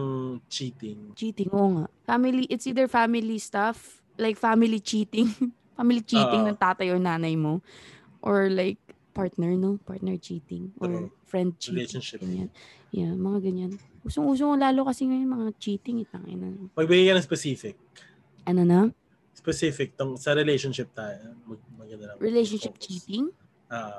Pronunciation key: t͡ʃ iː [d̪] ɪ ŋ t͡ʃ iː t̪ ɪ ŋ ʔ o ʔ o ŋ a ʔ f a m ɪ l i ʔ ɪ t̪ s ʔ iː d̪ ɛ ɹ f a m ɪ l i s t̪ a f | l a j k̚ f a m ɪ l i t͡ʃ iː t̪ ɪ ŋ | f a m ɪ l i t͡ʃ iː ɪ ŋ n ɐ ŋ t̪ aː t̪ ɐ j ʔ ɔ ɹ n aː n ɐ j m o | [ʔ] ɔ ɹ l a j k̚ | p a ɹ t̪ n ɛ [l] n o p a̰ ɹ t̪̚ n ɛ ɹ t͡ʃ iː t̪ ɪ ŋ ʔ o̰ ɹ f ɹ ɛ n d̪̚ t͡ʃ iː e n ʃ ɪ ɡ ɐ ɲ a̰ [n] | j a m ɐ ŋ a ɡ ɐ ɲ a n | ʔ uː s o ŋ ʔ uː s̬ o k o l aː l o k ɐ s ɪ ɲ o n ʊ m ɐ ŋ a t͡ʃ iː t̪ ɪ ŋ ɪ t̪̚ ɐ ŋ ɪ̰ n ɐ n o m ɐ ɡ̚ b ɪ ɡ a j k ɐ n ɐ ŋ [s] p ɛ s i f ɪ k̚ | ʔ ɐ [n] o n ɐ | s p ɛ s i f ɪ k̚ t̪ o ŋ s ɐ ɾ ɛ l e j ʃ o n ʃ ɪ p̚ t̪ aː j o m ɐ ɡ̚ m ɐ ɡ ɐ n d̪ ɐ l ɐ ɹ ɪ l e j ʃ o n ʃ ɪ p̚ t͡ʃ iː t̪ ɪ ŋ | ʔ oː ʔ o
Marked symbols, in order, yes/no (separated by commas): no, yes, no, yes, yes, yes